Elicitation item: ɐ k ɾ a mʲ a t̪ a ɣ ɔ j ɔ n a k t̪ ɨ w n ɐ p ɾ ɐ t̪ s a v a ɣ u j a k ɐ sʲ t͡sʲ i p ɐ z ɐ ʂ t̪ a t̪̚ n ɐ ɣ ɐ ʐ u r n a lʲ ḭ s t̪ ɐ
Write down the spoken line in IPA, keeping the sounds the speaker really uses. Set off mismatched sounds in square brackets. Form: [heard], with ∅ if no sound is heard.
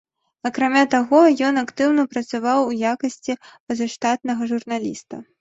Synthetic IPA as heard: ɐ k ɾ a mʲ a t̪ a ɣ ɔ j ɔ n a k t̪ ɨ w n ɐ p ɾ ɐ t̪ s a v a [w] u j a k ɐ sʲ t͡sʲ i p ɐ z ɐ ʂ t̪ a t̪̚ n ɐ ɣ ɐ ʐ u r n a lʲ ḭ s t̪ ɐ